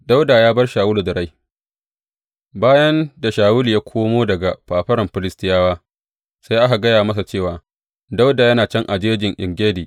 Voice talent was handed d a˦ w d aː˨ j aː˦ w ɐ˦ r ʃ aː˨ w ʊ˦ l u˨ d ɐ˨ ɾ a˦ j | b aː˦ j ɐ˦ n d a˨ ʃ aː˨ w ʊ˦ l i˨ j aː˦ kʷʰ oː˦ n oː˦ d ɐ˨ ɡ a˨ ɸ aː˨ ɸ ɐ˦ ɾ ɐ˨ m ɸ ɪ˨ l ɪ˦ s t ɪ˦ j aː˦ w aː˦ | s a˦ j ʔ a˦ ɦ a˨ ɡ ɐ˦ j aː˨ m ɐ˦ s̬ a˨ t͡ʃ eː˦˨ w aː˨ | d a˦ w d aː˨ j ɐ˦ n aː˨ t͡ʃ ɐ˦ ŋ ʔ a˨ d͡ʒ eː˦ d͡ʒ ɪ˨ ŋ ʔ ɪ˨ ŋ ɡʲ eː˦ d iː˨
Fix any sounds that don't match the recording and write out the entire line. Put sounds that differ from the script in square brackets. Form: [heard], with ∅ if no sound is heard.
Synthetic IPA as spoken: d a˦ w d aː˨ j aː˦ [b] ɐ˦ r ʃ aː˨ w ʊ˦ l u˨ d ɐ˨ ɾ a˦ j | b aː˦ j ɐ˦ n d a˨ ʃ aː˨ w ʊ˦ l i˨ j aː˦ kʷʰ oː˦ [m] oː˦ d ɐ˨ ɡ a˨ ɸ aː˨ ɸ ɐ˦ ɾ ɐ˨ m ɸ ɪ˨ l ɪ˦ s t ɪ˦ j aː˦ w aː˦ | s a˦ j ʔ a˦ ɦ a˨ ɡ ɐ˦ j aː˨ m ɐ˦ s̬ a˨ t͡ʃ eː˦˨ w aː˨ | d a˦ w d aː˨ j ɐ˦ n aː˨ t͡ʃ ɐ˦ ŋ ʔ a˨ d͡ʒ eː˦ d͡ʒ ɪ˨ ŋ ʔ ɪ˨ ŋ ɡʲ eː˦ d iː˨